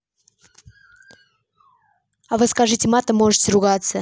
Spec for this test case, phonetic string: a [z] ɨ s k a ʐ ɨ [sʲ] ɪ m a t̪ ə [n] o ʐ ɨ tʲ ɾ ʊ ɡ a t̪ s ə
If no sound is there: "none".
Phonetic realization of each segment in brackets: v, tʲ, m

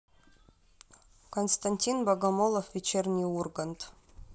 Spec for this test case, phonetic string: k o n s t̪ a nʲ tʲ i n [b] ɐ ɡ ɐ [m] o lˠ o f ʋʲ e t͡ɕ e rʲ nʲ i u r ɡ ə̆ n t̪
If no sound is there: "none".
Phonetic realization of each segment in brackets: b, m

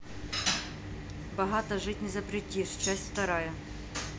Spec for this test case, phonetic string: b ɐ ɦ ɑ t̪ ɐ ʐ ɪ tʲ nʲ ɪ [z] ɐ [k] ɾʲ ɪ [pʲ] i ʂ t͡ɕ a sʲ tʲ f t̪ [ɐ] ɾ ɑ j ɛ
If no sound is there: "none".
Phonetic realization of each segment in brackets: z, p, tʲ, ɐ

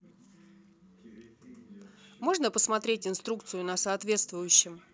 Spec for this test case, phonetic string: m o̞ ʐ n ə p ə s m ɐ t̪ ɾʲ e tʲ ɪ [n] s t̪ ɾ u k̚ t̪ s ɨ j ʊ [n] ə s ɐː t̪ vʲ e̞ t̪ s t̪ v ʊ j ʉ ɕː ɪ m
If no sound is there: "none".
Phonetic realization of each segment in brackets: n, n

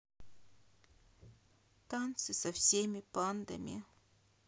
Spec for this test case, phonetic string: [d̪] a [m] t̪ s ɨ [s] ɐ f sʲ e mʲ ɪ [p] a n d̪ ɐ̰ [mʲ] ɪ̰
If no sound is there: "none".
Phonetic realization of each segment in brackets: t̪, n, s, p, mʲ

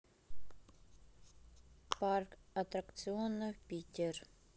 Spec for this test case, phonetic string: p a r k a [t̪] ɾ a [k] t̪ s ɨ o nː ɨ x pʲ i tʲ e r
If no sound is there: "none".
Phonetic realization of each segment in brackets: t̪, k

